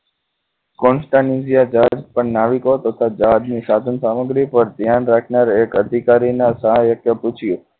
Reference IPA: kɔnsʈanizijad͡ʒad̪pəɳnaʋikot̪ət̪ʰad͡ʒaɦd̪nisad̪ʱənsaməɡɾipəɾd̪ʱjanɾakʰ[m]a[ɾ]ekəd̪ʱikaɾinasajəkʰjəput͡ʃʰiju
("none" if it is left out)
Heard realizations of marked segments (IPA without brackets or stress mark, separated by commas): n, ɾ